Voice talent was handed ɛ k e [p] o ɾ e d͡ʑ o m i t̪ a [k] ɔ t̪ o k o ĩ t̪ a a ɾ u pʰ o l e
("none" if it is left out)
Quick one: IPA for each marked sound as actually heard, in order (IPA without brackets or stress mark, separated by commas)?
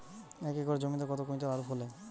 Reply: k, k